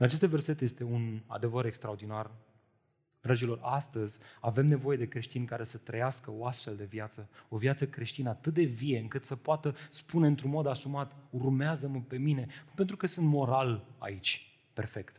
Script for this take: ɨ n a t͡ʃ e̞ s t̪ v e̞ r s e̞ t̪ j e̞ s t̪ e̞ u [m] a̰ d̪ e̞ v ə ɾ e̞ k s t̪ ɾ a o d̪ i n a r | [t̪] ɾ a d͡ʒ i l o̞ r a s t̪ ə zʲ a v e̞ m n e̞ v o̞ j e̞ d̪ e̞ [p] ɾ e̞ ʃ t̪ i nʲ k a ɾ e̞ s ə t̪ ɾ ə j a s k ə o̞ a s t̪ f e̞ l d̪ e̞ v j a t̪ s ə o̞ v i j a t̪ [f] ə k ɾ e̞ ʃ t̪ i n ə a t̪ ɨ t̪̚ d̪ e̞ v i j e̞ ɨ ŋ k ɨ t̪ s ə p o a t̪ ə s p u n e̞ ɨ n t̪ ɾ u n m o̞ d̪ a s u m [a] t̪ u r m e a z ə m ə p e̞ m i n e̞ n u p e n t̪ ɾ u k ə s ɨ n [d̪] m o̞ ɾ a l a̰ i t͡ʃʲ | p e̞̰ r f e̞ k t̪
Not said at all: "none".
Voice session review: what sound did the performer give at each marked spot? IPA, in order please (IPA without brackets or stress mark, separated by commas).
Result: n, d̪, k, s, a, t̪